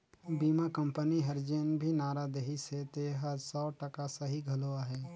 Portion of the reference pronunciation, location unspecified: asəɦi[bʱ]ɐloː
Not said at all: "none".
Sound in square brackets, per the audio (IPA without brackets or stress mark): ɡʱ